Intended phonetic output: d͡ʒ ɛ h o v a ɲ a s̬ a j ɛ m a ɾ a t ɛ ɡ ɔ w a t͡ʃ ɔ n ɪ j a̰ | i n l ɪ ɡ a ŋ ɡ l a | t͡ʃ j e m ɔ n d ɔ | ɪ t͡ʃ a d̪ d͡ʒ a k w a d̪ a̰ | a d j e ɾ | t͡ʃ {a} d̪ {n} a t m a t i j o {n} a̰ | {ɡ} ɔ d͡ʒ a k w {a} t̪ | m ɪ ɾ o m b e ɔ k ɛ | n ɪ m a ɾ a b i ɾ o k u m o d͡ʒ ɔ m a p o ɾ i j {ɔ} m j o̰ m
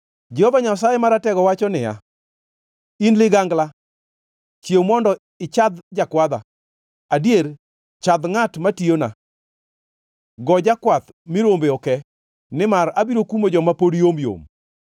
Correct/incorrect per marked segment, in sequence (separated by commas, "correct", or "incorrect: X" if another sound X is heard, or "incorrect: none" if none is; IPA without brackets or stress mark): correct, incorrect: ŋ, correct, correct, correct, incorrect: o